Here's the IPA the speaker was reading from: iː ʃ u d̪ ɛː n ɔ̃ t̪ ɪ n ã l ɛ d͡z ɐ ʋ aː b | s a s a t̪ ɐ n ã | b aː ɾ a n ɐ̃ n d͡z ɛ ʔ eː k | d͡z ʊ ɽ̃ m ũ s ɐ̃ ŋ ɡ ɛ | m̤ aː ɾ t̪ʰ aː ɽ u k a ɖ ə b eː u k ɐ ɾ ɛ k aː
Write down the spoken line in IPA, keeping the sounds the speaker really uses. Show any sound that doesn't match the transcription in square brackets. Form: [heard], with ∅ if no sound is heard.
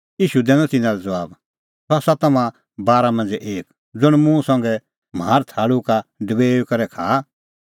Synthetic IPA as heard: iː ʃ u d̪ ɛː n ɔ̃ t̪ ɪ n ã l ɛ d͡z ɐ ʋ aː b | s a s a t̪ ɐ [m] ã | b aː ɾ a [m] ɐ̃ n d͡z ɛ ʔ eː k | d͡z ʊ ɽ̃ m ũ s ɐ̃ ŋ ɡ ɛ | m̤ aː ɾ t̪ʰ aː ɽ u k a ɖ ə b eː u k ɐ ɾ ɛ [kʰ] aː